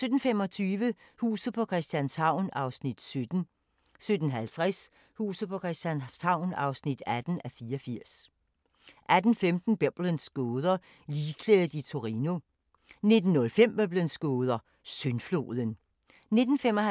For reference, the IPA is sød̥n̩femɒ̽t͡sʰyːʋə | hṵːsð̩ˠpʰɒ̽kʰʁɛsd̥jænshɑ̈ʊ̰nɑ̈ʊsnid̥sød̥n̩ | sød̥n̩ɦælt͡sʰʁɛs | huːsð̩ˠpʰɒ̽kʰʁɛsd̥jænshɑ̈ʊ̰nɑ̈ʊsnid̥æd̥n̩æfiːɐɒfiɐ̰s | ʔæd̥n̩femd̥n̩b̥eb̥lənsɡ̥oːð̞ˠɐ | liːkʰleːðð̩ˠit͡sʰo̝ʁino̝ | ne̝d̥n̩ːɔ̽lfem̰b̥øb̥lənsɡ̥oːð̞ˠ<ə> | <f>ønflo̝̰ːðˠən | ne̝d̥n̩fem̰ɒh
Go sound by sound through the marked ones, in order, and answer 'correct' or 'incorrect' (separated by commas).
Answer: incorrect, incorrect